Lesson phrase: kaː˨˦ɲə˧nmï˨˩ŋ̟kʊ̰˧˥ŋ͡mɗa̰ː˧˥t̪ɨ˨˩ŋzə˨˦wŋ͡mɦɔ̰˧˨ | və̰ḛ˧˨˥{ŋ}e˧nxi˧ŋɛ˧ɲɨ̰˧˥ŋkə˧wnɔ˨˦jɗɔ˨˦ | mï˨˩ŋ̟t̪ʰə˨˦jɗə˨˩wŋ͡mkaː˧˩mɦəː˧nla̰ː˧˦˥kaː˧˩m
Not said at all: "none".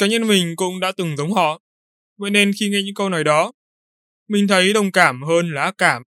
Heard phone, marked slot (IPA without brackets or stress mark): n